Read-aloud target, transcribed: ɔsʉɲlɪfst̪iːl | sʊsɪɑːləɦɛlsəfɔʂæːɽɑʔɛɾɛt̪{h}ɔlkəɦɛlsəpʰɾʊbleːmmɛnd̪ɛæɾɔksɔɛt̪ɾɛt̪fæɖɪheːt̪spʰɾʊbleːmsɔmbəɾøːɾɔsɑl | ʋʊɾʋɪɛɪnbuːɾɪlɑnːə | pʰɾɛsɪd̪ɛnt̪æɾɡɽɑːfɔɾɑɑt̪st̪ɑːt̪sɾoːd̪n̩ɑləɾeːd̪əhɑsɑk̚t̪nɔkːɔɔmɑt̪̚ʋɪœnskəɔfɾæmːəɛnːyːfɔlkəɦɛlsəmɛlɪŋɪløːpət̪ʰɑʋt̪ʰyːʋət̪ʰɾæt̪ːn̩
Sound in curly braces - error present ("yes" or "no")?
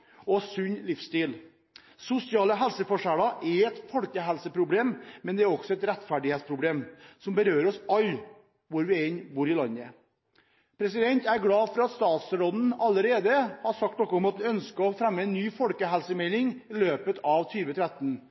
yes